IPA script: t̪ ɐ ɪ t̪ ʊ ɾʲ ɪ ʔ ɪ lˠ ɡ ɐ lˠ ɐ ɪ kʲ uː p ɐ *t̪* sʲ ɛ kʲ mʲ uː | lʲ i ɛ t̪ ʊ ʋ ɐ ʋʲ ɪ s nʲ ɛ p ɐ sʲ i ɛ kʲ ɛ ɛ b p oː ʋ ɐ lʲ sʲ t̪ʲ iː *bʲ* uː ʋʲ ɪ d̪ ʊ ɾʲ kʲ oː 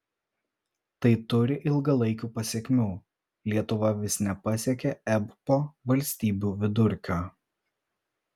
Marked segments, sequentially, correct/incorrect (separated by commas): incorrect, correct